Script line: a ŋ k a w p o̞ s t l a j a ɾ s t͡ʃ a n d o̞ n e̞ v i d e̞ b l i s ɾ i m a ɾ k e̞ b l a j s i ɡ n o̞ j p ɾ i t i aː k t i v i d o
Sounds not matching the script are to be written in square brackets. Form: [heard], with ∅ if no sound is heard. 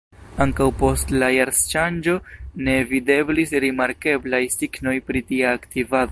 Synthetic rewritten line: a ŋ k a w p o̞ s t l a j a ɾ s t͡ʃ a n [d͡ʒ] o̞ n e̞ v i d e̞ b l i s ɾ i m a ɾ k e̞ b l a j s i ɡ n o̞ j p ɾ i t i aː k t i v [a] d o